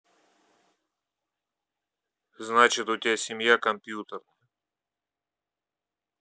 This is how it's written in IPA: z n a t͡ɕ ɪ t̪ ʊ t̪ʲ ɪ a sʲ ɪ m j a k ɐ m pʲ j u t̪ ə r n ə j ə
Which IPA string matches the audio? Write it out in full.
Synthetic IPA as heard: z n a t͡ɕ ɪ t̪ ʊ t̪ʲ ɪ a sʲ ɪ m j a k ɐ m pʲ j u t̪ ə r n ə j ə